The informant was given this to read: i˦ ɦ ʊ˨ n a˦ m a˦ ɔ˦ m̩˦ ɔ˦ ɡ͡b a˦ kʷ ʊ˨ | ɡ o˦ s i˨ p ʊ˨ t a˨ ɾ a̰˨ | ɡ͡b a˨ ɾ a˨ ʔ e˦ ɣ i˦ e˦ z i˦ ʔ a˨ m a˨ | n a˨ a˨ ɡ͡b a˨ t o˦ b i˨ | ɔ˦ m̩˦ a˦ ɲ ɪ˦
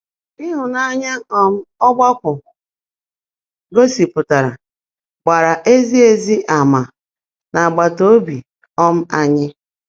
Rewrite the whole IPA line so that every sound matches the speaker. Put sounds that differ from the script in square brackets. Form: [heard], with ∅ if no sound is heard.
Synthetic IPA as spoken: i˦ ɦ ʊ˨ n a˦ [ɲ] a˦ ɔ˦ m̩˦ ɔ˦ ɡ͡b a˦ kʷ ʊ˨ | ɡ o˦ s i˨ p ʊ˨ t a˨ ɾ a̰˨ | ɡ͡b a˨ ɾ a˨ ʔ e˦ [z] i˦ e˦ z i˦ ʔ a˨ m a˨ | n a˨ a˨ ɡ͡b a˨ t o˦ b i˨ | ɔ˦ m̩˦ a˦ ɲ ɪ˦